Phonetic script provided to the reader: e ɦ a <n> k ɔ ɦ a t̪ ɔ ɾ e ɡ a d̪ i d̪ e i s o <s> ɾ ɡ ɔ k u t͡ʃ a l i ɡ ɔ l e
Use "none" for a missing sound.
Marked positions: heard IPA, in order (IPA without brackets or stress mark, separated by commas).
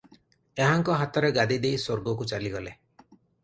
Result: ŋ, none